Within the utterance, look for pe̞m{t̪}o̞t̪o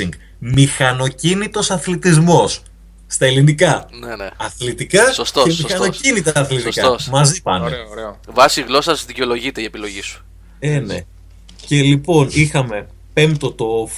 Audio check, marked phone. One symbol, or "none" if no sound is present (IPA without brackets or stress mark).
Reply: t̪